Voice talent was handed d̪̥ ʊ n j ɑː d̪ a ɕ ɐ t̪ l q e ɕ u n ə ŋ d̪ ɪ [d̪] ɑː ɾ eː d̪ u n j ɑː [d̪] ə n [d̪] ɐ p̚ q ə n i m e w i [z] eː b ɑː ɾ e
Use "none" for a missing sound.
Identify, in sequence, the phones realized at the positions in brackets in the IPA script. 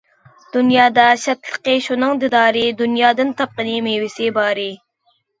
d̪, d̪, t̪, s

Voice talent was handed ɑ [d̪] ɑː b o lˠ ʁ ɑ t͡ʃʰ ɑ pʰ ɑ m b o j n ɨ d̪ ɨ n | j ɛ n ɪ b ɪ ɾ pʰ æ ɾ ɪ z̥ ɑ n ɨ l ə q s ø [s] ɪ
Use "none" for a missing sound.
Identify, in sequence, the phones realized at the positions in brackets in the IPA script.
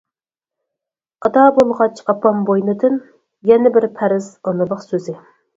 d̪, z

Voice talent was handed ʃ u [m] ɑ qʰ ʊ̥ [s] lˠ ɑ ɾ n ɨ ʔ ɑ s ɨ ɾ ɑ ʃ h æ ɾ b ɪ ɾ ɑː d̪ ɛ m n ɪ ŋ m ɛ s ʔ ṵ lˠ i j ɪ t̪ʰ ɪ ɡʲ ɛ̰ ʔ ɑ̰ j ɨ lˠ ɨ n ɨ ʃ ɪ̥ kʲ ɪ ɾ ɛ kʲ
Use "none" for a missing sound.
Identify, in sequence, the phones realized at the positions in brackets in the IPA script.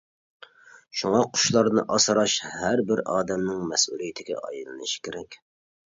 ŋ, ʃ

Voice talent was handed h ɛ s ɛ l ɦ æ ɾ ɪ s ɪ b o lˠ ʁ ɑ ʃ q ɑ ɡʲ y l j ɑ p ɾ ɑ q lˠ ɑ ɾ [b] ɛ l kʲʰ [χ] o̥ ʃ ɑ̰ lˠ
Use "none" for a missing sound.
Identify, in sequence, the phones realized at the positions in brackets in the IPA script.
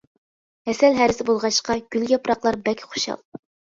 b, χ

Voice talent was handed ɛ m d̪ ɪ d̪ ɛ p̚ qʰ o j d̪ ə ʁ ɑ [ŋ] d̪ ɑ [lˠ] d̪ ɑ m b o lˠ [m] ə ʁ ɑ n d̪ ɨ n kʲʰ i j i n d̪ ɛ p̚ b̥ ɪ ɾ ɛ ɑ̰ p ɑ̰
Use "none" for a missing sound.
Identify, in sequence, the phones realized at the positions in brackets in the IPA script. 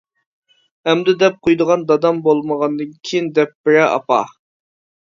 n, none, m

